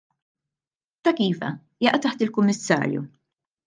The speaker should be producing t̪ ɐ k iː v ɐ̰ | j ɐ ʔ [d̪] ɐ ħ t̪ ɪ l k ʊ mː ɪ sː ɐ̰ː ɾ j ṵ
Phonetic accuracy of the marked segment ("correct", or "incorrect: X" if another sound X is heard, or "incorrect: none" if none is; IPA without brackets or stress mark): incorrect: t̪